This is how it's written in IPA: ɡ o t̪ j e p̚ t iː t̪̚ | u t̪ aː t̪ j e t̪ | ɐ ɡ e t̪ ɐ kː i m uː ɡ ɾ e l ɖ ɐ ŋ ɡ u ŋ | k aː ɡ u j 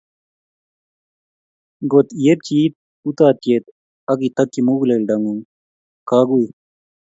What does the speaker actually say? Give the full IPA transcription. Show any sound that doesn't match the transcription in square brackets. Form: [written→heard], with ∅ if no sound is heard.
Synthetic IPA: ɡ o t̪ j e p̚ [t→t͡ɕ] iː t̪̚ | u t̪ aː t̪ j e t̪ | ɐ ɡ [e→i] t̪ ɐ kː i m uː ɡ [ɾ→l] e l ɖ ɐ ŋ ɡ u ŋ | k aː ɡ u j